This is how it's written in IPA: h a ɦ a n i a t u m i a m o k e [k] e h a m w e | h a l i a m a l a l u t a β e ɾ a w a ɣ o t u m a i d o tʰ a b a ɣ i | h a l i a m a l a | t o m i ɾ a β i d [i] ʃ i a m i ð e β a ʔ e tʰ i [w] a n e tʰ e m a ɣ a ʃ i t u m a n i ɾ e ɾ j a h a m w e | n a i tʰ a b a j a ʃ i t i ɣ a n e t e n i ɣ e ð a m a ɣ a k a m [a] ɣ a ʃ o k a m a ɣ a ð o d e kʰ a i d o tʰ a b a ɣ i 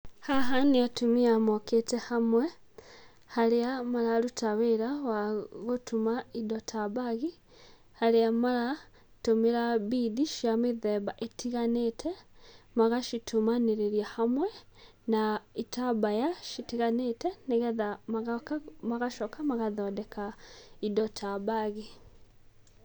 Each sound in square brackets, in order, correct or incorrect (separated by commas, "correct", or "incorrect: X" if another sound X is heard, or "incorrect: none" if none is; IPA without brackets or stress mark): incorrect: t, correct, incorrect: ɣ, correct